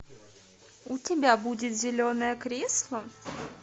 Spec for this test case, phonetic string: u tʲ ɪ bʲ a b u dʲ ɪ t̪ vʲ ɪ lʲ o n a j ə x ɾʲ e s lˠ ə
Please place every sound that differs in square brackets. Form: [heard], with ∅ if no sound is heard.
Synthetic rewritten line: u tʲ ɪ bʲ a b u dʲ ɪ t̪ [zʲ] ɪ lʲ o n [ə] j ə [k] ɾʲ e s lˠ ə